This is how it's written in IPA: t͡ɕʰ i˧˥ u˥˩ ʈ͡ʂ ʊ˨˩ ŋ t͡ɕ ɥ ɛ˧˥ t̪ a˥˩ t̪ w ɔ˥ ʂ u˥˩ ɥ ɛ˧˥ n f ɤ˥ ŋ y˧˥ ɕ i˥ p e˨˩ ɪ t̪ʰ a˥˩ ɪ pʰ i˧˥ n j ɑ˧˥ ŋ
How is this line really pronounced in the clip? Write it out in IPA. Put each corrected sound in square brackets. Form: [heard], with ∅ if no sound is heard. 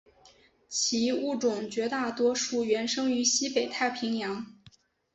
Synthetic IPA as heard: t͡ɕʰ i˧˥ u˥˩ ʈ͡ʂ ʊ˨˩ ŋ t͡ɕ ɥ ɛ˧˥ t̪ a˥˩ t̪ w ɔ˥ ʂ u˥˩ ɥ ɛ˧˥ n [ʂ] ɤ˥ ŋ y˧˥ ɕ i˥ p e˨˩ ɪ t̪ʰ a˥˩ ɪ pʰ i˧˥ [ŋ] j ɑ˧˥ ŋ

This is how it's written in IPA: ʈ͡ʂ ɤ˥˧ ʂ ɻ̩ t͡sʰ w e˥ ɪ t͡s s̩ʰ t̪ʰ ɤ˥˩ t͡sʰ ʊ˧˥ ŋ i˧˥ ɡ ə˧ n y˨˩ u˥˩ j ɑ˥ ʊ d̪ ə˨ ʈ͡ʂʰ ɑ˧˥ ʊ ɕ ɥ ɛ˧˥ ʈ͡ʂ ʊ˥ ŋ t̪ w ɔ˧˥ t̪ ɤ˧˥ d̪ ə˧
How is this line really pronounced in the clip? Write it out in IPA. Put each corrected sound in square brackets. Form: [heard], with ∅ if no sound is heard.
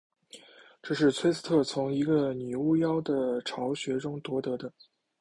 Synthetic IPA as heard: ʈ͡ʂ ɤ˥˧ ʂ ɻ̩ t͡sʰ w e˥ ɪ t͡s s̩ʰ t̪ʰ ɤ˥˩ t͡sʰ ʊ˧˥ ŋ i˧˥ ɡ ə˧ n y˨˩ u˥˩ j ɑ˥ ʊ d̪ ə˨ ʈ͡ʂʰ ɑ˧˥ ʊ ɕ ɥ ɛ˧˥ ʈ͡ʂ ʊ˥ ŋ t̪ w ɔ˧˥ t̪ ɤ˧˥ d̪ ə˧

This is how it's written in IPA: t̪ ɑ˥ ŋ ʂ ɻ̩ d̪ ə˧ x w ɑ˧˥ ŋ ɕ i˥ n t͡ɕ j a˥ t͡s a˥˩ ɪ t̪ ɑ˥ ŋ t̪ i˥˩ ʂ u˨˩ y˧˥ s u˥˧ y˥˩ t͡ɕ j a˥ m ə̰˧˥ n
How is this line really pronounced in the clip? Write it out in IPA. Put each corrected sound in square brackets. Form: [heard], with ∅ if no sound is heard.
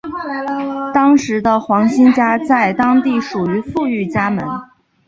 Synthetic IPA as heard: t̪ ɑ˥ ŋ ʂ ɻ̩ d̪ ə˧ x w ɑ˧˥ ŋ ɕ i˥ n t͡ɕ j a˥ t͡s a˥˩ ɪ t̪ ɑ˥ ŋ t̪ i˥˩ ʂ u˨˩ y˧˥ [f] u˥˧ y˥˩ t͡ɕ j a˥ m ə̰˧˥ n

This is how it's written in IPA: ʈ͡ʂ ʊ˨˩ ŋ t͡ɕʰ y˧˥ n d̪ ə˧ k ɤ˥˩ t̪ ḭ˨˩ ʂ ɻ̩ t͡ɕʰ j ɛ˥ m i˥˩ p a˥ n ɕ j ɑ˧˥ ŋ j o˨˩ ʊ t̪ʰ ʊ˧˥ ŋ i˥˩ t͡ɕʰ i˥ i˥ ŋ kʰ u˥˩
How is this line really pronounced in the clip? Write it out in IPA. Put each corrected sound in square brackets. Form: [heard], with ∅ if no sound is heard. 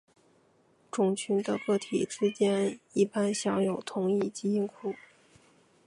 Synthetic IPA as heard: ʈ͡ʂ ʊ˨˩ ŋ t͡ɕʰ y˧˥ n d̪ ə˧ k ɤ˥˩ [t̪ʰ] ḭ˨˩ [ʈ͡ʂ] ɻ̩ [t͡ɕ] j ɛ˥ [n] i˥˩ p a˥ n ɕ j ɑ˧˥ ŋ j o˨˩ ʊ t̪ʰ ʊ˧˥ ŋ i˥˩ [t͡ɕ] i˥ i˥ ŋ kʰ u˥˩

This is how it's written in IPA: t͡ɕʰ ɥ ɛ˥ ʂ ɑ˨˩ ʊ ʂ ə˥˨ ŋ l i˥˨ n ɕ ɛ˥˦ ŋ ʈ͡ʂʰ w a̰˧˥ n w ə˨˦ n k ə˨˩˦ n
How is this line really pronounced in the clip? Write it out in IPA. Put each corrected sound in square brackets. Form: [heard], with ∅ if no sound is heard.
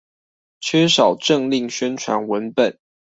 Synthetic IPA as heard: t͡ɕʰ ɥ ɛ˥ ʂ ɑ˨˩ ʊ [ʈ͡ʂ] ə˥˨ ŋ l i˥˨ [ŋ] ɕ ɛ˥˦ [n] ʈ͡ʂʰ w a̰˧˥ n w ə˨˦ n [p] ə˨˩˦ n

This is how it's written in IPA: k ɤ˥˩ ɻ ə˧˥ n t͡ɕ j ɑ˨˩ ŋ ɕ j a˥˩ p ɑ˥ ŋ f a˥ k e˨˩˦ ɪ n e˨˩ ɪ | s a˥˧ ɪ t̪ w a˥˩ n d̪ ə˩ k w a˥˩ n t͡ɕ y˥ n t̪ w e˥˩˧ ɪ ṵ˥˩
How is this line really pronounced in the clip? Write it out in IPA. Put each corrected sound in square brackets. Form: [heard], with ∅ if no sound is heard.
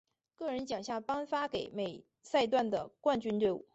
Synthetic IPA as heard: k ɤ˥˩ ɻ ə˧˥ n t͡ɕ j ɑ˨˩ ŋ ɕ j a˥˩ p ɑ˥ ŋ f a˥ k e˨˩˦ ɪ [m] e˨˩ ɪ | s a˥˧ ɪ t̪ w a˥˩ n d̪ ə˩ k w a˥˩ n t͡ɕ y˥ n t̪ w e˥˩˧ ɪ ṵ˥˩

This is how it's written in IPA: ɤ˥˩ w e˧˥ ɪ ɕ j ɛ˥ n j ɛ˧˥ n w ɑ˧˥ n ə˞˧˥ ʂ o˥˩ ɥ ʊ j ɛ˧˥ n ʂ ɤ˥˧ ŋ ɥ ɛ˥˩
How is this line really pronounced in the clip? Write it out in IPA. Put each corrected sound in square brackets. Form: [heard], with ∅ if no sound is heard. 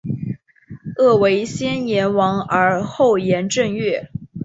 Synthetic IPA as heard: ɤ˥˩ w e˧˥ ɪ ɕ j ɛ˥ n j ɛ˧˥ n w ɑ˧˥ [ŋ] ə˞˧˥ [x] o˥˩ [∅] ʊ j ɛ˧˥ n [ʈ͡ʂ] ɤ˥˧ ŋ ɥ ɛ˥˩

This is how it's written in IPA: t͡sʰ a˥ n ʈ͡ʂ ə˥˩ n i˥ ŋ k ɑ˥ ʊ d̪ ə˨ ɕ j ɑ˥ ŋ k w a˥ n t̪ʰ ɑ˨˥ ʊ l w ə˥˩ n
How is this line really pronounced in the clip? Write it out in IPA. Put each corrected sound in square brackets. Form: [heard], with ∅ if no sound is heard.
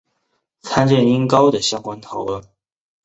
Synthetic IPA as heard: t͡sʰ a˥ n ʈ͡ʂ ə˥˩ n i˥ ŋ k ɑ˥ ʊ d̪ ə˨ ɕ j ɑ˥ ŋ k w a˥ n t̪ʰ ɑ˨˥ ʊ l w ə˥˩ n

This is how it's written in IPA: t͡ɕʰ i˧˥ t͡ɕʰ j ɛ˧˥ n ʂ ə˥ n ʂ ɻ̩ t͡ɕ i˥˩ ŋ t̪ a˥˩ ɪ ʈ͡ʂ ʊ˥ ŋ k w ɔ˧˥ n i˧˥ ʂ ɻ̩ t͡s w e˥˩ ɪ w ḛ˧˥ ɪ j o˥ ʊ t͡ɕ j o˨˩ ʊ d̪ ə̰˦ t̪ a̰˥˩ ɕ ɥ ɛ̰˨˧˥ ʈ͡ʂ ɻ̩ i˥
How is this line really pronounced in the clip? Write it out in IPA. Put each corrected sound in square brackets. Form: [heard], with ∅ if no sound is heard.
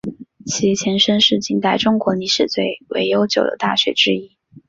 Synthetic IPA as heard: t͡ɕʰ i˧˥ t͡ɕʰ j ɛ˧˥ n ʂ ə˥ n ʂ ɻ̩ t͡ɕ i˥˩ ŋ t̪ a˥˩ ɪ ʈ͡ʂ ʊ˥ ŋ k w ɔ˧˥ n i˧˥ ʂ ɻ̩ t͡s w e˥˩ ɪ w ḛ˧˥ ɪ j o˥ ʊ t͡ɕ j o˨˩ ʊ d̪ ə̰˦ t̪ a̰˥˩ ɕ ɥ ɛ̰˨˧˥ ʈ͡ʂ ɻ̩ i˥

